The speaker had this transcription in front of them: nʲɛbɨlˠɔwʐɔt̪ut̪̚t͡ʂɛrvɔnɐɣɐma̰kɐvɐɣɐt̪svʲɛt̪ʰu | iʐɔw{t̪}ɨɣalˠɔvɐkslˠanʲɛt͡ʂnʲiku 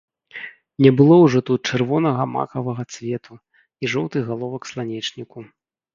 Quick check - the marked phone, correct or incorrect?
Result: correct